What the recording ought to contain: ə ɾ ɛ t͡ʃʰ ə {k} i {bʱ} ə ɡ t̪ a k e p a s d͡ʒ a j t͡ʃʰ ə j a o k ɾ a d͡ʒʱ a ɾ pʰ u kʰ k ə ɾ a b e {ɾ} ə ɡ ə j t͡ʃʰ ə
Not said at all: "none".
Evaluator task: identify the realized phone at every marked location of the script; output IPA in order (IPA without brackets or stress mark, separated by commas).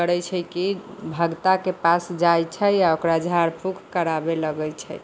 k, bʱ, l